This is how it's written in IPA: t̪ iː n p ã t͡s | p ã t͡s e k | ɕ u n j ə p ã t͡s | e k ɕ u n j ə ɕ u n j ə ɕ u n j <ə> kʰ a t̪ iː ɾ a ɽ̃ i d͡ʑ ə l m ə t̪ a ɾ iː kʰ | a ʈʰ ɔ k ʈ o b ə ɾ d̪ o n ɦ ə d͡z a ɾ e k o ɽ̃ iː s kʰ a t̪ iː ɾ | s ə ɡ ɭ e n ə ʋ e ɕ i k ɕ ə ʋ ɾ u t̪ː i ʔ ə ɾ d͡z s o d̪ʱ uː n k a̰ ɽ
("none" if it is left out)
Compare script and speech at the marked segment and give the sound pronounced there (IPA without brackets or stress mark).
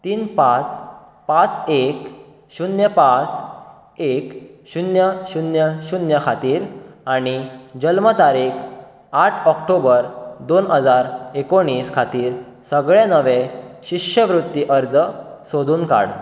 ə